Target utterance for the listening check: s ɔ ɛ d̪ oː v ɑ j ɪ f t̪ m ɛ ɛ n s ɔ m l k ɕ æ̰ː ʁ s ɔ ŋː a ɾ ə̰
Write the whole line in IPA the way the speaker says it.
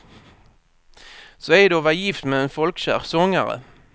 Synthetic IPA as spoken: s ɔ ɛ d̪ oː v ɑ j ɪ f t̪ m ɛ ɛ n f ɔ l k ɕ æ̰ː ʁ s ɔ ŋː a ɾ ə̰